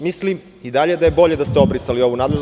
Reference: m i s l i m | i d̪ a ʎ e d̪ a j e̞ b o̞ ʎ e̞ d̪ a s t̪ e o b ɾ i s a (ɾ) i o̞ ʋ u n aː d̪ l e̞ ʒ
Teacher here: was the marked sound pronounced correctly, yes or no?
no